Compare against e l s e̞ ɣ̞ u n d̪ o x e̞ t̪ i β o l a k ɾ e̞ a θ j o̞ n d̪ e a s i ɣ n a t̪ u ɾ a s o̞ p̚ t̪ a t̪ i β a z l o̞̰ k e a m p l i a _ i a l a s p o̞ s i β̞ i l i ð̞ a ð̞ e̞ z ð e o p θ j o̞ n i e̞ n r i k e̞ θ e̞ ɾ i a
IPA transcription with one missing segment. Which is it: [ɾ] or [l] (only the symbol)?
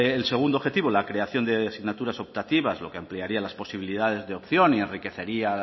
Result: ɾ